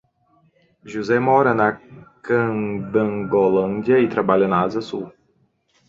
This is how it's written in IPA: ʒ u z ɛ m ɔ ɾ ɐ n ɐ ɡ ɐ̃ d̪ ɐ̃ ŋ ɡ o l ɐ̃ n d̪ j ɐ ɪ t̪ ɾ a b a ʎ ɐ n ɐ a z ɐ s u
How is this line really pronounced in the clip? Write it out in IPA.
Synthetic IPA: ʒ u z ɛ m ɔ ɾ ɐ n ɐ k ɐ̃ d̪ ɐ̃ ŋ ɡ o l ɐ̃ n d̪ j ɐ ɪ t̪ ɾ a b a ʎ ɐ n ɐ a z ɐ s u